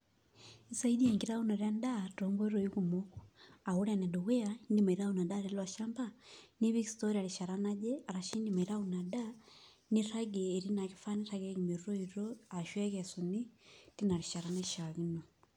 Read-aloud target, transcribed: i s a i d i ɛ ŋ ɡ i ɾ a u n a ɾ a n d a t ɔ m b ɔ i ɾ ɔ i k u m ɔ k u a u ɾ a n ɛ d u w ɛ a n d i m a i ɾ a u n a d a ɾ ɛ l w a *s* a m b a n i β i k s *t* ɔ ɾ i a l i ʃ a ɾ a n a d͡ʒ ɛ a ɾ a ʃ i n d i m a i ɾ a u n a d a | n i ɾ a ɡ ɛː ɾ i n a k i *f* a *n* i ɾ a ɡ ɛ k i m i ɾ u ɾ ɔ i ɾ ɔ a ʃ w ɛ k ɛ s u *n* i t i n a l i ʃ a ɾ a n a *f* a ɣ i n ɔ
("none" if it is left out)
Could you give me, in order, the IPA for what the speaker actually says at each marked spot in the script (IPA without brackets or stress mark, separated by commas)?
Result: ʃ, t, f, n, n, ʃ